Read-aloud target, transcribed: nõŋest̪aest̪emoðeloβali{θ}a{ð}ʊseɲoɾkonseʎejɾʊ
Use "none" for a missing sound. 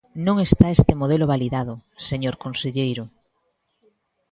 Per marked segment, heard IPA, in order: ð, ð

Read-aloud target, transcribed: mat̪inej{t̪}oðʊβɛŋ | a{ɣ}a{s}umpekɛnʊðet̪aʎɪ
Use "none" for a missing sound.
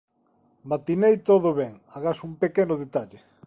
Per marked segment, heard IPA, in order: t̪, ɣ, s

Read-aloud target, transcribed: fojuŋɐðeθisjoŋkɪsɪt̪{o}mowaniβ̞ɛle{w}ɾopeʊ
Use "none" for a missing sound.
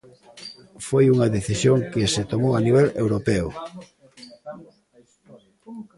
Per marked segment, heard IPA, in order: o, w

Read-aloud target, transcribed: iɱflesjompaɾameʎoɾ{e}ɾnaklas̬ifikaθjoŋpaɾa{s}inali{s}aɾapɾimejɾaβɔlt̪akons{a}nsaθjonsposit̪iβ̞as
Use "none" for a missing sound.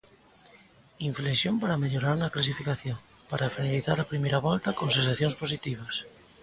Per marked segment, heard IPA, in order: a, f, θ, e

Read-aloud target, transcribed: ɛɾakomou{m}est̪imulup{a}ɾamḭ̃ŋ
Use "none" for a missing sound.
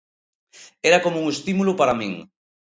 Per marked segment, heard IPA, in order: ŋ, a

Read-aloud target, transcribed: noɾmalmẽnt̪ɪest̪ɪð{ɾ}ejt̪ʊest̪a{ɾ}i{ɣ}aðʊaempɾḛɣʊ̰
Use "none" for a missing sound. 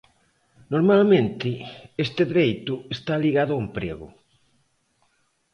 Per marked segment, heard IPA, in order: ɾ, l, ɣ

